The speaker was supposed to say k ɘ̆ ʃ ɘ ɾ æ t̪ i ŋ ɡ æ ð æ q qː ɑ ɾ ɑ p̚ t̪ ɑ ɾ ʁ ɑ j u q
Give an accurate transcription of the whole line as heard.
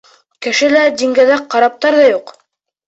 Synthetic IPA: k ɘ̆ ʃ ɘ l æ d̪ i ŋ ɡ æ ð æ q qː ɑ ɾ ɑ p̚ t̪ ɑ ɾ ð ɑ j u q